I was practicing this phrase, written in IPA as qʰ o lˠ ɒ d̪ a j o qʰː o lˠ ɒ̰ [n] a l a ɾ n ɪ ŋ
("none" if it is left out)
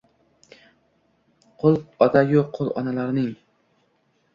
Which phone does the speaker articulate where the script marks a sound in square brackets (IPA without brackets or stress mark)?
n